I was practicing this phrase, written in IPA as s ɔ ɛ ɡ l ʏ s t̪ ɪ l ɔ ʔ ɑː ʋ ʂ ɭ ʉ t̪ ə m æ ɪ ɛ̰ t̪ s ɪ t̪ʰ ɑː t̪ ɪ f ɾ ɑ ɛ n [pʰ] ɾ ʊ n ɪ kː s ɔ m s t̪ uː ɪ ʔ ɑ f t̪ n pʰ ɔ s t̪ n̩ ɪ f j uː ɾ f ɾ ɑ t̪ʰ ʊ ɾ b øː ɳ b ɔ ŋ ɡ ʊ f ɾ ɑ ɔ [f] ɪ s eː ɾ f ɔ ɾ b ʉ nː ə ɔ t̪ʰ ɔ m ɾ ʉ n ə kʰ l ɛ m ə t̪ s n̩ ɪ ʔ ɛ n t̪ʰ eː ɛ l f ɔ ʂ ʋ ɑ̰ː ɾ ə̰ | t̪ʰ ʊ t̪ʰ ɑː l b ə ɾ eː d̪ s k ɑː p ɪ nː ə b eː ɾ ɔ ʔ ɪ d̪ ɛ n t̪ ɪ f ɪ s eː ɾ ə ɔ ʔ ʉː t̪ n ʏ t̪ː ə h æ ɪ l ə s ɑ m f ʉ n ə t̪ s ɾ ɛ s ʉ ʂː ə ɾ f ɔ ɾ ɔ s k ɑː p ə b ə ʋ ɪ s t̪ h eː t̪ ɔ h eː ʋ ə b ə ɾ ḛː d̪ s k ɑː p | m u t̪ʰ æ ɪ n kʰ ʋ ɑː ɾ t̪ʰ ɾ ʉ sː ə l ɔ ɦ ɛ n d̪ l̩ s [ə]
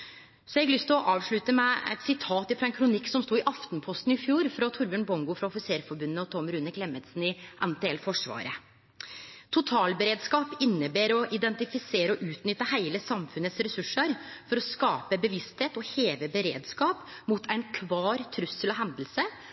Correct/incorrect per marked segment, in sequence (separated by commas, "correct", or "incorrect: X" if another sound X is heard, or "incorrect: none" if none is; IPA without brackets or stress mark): incorrect: kʰ, correct, correct